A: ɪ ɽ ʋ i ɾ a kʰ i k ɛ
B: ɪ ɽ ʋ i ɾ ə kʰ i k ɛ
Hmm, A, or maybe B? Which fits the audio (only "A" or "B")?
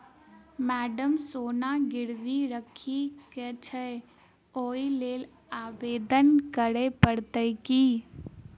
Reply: B